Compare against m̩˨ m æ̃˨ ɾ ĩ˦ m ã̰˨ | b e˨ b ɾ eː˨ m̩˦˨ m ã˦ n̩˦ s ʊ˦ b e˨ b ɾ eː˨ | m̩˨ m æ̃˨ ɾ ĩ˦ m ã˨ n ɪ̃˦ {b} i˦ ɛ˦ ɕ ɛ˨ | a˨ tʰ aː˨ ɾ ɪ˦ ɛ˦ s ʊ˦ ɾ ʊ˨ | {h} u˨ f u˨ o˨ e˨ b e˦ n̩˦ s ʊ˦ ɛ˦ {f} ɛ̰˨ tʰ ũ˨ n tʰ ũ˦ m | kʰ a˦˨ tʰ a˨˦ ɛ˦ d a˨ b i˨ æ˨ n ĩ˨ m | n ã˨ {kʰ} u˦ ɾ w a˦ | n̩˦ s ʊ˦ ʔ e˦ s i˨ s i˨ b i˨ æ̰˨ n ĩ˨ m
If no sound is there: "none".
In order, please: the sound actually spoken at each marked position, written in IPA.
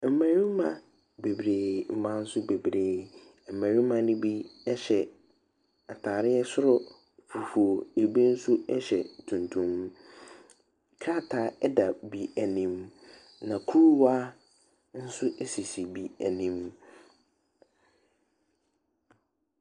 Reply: b, f, ɕ, kʰ

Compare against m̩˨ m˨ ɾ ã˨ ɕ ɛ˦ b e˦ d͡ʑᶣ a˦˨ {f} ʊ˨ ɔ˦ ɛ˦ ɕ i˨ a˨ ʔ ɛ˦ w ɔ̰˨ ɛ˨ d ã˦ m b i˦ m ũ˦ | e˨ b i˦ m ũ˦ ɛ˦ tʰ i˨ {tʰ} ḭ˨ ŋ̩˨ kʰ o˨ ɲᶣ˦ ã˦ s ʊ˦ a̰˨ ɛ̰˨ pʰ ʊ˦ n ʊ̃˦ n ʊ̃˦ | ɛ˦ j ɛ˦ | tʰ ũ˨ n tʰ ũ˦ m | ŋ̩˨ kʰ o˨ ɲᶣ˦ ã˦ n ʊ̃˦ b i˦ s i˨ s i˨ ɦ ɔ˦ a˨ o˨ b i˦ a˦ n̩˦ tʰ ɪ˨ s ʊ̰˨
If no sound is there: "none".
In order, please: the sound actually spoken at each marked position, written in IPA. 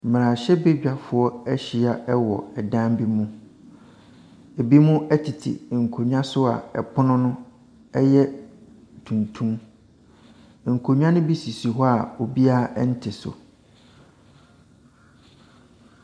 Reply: f, tʰ

